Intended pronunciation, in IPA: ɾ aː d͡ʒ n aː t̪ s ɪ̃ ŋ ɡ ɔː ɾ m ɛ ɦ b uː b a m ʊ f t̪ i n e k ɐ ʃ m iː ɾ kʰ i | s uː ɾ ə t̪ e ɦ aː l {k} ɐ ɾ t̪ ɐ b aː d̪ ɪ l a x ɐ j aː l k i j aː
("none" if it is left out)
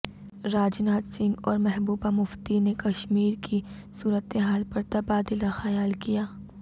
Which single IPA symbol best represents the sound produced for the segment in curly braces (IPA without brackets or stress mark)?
p